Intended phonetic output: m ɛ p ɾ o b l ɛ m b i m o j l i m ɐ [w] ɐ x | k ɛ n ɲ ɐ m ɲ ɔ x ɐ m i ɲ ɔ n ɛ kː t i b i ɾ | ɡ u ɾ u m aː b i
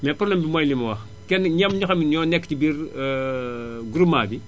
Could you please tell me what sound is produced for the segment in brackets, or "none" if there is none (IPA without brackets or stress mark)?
w